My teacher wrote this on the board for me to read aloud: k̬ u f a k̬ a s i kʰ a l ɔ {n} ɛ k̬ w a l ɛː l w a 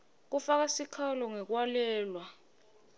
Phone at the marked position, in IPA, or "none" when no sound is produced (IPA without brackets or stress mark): ŋ